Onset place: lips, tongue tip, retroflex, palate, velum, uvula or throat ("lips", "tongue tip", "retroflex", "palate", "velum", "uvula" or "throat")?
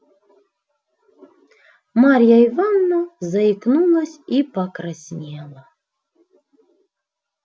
lips